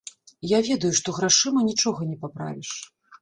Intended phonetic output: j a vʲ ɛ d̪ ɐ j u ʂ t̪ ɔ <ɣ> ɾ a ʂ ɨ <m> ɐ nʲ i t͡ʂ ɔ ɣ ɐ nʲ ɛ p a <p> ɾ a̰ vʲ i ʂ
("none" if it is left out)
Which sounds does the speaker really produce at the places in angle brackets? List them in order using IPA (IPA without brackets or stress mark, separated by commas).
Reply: ɣ, m, p